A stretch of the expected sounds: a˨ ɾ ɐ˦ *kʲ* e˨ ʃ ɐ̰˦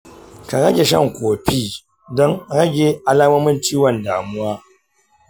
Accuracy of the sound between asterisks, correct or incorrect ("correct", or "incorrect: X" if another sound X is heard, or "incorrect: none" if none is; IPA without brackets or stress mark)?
incorrect: ɡʲ